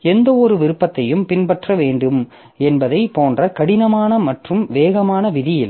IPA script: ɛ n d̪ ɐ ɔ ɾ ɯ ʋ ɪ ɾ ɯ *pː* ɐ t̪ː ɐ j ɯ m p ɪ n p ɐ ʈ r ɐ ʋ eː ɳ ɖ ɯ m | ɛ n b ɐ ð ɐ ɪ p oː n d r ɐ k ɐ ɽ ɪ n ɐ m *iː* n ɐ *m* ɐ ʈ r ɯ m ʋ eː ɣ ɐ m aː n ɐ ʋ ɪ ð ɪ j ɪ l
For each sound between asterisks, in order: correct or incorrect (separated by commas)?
correct, incorrect, correct